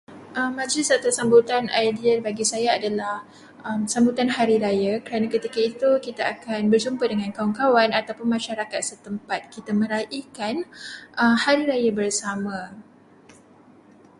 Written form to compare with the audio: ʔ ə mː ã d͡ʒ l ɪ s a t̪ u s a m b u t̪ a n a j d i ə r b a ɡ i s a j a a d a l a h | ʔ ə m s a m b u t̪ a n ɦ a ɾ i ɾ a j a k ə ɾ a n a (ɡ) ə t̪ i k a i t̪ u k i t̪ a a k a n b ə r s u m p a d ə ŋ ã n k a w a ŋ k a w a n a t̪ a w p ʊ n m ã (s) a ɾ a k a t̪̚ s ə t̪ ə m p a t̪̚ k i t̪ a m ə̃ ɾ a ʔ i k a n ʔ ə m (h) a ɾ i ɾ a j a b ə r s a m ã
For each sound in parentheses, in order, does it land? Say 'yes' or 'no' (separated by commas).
no, no, yes